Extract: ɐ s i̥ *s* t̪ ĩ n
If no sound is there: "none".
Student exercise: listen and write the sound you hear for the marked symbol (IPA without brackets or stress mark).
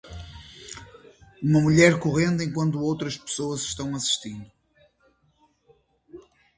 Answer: ʃ